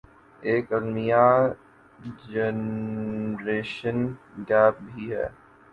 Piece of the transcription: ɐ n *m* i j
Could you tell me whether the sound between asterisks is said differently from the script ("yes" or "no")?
no